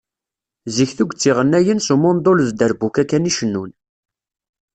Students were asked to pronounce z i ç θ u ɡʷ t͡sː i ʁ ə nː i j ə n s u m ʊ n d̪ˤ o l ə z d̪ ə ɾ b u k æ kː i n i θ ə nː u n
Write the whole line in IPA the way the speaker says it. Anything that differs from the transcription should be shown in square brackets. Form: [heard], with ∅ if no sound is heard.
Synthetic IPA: z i ç θ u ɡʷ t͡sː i ʁ ə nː [æ] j ə n s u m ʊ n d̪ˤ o l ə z d̪ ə ɾ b u k æ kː [æ] n i [ʃ] ə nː u n